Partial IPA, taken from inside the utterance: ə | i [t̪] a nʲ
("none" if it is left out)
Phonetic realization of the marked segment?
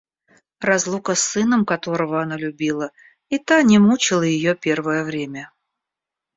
t̪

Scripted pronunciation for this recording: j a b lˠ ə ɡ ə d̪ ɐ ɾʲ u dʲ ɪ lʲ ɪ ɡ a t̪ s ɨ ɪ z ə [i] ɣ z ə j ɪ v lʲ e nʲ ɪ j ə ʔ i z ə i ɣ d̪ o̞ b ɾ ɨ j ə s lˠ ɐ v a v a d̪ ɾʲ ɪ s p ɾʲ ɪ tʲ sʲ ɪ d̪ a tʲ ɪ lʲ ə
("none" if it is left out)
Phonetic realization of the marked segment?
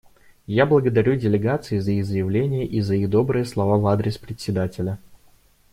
i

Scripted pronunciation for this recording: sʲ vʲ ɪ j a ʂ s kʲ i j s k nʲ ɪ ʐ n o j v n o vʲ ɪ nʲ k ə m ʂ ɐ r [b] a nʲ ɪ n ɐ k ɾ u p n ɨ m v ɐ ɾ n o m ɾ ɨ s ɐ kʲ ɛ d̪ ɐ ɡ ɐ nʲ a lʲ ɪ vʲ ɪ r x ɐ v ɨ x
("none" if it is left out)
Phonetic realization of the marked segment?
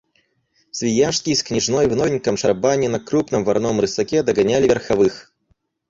b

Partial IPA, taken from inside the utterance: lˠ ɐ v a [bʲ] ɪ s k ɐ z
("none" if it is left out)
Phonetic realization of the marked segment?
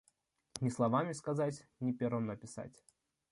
mʲ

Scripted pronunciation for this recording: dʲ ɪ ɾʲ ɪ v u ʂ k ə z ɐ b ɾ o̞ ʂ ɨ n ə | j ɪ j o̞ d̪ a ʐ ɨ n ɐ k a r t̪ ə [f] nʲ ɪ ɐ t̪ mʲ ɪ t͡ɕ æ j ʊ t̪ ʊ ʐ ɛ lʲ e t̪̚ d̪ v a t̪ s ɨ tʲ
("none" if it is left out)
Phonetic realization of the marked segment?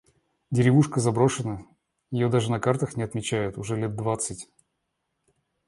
x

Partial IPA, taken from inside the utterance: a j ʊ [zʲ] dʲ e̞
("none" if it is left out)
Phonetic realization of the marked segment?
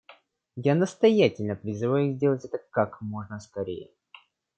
zʲ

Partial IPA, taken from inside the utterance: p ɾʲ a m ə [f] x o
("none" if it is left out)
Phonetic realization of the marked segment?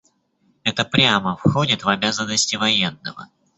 f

